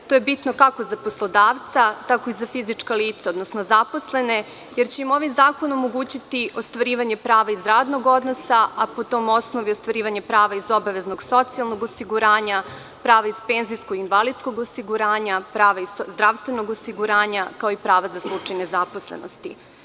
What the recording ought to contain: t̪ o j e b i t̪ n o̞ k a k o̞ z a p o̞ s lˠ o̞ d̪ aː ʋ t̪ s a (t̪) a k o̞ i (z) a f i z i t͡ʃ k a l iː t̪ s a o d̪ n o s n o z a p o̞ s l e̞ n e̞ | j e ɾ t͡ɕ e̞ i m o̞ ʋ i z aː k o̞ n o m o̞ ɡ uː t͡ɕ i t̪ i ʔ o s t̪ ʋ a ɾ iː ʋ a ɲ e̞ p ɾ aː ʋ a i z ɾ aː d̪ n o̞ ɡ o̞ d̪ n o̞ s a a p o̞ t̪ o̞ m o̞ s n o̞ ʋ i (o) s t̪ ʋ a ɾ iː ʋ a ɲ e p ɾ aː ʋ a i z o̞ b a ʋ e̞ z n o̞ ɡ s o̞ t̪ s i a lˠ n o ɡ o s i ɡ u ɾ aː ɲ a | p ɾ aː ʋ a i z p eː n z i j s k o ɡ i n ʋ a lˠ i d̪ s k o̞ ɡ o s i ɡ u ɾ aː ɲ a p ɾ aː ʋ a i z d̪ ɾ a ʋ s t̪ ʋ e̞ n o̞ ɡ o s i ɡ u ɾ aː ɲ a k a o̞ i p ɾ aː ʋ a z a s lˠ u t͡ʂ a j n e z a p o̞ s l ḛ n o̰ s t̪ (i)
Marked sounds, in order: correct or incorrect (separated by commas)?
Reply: correct, correct, correct, correct